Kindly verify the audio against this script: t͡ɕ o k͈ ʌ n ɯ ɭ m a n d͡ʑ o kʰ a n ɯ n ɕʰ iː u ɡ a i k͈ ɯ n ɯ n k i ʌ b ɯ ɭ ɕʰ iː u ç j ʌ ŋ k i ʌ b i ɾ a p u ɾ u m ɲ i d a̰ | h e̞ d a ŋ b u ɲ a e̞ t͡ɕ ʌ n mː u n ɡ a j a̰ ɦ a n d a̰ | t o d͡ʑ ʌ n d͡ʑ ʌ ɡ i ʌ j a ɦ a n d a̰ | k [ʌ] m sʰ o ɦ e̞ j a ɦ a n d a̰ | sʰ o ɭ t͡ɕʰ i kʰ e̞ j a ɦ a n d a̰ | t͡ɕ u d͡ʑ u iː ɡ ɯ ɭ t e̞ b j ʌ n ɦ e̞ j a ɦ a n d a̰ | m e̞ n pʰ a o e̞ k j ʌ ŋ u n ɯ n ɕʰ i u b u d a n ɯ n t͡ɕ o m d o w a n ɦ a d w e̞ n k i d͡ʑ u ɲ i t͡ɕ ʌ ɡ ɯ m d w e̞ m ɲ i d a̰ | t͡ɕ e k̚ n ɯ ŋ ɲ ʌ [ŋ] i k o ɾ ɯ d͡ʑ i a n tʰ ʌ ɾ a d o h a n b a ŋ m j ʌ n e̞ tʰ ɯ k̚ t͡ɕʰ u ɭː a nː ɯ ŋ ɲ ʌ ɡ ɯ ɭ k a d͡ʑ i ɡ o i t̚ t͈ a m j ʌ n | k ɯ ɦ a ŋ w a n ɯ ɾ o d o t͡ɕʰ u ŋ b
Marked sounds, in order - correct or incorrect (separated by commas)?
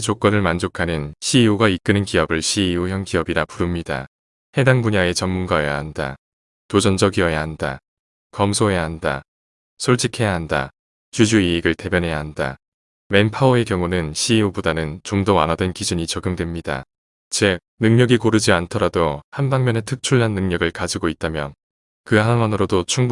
correct, incorrect